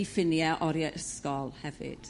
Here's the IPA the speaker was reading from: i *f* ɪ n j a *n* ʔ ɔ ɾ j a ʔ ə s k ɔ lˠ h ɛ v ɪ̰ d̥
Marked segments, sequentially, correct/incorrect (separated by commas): correct, incorrect